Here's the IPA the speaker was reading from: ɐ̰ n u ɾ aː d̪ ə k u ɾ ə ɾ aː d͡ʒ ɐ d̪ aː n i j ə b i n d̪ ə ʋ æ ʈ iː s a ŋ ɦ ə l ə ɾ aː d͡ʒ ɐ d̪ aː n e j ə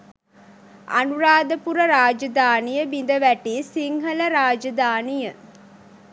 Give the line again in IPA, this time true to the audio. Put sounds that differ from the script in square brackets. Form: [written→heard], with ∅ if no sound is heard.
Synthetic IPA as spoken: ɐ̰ n u ɾ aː d̪ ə [k→p] u ɾ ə ɾ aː d͡ʒ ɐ d̪ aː n i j ə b i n d̪ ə ʋ æ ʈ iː s [a→i] ŋ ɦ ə l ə ɾ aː d͡ʒ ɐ d̪ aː n [e→i] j ə